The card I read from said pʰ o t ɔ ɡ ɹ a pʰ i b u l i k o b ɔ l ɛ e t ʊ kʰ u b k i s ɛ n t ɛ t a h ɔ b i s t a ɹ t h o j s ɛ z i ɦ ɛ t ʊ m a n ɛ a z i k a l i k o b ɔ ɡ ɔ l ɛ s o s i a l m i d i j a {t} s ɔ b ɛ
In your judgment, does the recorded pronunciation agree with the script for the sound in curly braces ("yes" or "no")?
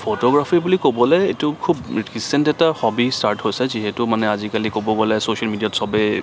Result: yes